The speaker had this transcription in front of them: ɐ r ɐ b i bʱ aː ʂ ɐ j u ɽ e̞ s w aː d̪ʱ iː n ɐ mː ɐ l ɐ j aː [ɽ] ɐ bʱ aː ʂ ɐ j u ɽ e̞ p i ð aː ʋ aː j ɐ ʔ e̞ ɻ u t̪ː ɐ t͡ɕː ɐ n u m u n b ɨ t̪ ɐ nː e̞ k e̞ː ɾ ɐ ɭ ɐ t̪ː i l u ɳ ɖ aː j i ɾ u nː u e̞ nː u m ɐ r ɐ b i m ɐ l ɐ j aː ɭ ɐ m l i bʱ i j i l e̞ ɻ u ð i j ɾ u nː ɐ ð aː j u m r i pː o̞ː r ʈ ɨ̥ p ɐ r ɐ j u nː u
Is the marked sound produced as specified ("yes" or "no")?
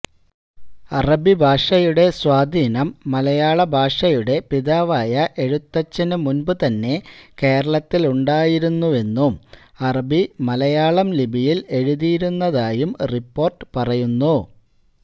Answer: no